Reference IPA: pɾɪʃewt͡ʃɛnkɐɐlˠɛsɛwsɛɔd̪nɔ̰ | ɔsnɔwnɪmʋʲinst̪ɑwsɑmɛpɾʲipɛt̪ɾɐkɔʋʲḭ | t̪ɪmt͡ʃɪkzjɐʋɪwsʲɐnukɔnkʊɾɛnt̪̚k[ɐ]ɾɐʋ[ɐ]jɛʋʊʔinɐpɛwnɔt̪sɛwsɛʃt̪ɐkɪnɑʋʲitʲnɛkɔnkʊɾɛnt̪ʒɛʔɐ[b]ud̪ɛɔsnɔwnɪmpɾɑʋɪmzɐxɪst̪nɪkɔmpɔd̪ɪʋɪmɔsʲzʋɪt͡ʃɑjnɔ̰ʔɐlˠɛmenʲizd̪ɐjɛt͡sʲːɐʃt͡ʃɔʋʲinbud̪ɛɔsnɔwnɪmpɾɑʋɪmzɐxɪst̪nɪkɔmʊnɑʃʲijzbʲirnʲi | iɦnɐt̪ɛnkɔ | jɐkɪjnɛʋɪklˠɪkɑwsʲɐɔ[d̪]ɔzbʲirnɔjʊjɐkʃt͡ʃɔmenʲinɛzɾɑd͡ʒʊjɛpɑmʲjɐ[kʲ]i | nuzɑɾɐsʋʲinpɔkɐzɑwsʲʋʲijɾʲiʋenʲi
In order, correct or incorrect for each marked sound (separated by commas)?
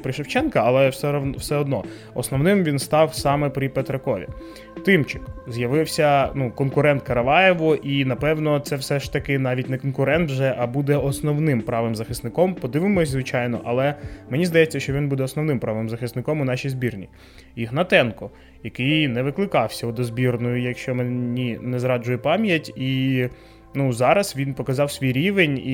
correct, incorrect, correct, correct, incorrect